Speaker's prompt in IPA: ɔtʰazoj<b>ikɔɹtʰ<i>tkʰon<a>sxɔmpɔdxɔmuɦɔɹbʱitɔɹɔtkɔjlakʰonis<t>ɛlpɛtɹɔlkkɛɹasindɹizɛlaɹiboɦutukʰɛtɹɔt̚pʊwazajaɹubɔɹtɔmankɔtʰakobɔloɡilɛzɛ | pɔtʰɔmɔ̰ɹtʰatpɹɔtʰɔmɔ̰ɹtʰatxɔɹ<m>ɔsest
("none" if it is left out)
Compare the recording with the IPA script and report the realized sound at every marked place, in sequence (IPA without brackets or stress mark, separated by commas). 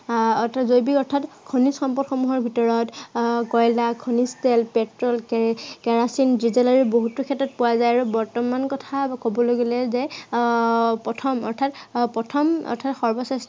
b, a, i, t, b